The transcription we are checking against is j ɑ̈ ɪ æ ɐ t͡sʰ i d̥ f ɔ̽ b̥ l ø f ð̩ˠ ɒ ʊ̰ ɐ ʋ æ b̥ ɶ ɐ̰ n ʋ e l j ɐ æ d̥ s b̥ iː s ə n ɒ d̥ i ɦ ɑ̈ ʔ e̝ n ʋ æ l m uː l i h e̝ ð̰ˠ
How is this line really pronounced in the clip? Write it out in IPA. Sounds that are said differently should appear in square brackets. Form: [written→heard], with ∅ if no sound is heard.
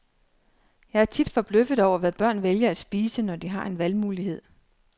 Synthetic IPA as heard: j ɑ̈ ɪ æ ɐ t͡sʰ i d̥ f [ɔ̽→ɒ̽] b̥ l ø f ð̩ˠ ɒ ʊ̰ ɐ ʋ æ b̥ ɶ ɐ̰ n ʋ e l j ɐ æ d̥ s b̥ iː s ə n ɒ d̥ i ɦ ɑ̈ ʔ e̝ n ʋ æ l m uː l i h e̝ ð̰ˠ